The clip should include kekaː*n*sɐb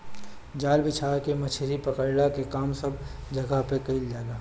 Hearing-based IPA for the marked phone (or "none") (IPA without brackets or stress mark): m